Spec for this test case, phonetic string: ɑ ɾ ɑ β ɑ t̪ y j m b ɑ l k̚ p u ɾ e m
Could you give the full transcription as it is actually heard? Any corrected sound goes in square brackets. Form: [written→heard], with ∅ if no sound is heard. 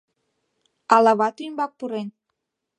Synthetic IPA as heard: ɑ [ɾ→l] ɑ β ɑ t̪ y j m b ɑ [l→∅] k̚ p u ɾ e [m→n]